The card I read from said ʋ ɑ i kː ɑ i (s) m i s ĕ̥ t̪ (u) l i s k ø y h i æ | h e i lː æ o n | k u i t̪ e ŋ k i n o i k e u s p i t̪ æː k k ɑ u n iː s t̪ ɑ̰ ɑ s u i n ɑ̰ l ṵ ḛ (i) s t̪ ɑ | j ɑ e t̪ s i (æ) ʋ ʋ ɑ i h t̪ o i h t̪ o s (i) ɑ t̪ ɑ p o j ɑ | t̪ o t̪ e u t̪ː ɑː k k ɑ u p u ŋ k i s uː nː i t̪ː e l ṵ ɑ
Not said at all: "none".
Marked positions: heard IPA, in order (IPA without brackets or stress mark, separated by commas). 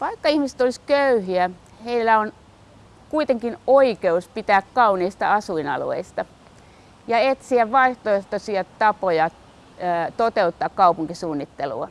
h, o, i, æ, i